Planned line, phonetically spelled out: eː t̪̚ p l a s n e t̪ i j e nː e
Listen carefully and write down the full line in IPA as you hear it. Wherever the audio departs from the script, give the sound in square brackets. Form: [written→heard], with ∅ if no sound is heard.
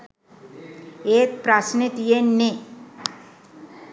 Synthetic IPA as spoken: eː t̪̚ p [l→ɾ] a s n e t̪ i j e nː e